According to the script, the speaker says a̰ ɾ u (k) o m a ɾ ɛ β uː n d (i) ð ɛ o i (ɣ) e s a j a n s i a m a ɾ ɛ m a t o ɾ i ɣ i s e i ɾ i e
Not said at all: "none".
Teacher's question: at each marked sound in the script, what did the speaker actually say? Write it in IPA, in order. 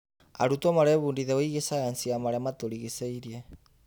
t, i, ɣ

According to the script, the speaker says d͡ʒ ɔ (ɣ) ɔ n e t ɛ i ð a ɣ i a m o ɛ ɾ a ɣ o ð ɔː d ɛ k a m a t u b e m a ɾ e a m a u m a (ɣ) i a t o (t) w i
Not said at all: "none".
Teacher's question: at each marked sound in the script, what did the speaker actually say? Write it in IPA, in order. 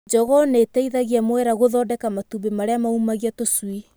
ɣ, ɣ, s

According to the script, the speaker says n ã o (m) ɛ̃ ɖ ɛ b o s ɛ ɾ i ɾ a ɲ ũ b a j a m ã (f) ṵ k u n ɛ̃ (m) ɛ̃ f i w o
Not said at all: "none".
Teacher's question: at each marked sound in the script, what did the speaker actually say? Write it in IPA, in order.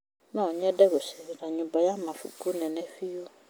ɲ, f, n

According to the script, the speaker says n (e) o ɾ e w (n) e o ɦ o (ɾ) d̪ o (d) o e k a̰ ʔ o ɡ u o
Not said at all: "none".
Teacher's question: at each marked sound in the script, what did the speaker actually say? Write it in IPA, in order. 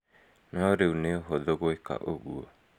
a, n, none, ɡ

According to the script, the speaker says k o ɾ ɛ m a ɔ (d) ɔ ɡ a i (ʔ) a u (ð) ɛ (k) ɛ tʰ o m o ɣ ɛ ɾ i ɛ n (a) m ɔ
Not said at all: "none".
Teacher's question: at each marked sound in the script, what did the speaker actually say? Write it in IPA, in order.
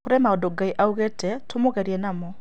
d, ʔ, ɣ, t, a

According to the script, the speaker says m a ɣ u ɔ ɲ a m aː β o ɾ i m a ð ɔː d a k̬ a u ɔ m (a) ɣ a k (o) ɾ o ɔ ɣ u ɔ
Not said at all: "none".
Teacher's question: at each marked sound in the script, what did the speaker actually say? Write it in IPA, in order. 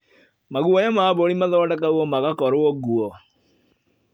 a, ɔ

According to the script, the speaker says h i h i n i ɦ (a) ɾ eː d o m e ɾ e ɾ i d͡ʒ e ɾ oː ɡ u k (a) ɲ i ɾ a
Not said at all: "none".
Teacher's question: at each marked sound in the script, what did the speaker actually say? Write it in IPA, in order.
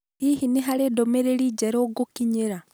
a, i

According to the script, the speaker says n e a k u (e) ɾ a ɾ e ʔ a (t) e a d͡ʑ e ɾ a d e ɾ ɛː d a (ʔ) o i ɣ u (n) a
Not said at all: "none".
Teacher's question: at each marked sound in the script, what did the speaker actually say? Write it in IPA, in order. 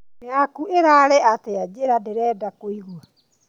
e, t, k, none

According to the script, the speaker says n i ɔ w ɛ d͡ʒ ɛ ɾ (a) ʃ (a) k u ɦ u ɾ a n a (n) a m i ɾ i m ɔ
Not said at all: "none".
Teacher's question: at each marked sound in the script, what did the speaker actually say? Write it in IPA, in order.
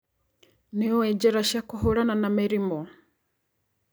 a, a, n

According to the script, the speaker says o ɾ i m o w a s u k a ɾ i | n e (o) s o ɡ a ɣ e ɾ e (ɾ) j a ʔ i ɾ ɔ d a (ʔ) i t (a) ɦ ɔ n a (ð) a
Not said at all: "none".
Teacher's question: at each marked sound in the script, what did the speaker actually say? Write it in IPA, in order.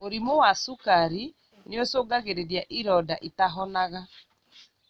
o, ɾ, ʔ, a, ɣ

